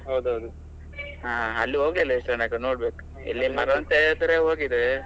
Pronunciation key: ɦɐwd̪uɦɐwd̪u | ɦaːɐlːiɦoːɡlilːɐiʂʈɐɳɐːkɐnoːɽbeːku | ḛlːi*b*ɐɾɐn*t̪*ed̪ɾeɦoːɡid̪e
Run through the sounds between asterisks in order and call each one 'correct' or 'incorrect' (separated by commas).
incorrect, correct